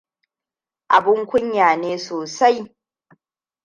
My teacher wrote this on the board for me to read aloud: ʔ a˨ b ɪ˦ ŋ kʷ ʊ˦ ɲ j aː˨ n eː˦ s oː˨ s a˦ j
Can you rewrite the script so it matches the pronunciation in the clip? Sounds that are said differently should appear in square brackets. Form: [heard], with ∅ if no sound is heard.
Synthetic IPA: ʔ a˨ b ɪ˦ ŋ kʷ ʊ˦ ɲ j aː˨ n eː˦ s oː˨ s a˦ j